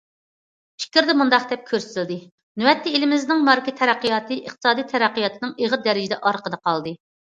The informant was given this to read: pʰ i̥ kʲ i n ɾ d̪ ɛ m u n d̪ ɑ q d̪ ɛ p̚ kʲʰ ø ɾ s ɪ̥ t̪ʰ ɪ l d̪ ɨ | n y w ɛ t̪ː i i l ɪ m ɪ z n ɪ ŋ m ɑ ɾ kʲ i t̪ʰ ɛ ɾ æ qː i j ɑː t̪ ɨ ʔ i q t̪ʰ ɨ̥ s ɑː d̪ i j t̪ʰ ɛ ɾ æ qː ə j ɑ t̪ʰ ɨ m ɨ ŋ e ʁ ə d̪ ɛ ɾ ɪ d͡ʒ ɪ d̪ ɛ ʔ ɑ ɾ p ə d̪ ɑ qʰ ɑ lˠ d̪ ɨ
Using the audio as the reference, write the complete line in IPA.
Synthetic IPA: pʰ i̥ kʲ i ɾ d̪ ɛ m u n d̪ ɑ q d̪ ɛ p̚ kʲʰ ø ɾ s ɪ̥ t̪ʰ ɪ l d̪ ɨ | n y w ɛ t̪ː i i l ɪ m ɪ z n ɪ ŋ m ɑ ɾ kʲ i t̪ʰ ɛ ɾ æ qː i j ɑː t̪ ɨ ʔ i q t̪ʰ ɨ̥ s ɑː d̪ i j t̪ʰ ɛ ɾ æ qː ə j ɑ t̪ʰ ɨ n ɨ ŋ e ʁ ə d̪ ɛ ɾ ɪ d͡ʒ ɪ d̪ ɛ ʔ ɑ ɾ q ə d̪ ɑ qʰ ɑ lˠ d̪ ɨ